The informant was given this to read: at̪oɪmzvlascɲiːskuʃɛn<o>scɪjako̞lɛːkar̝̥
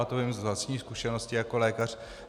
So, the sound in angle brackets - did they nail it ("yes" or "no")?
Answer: yes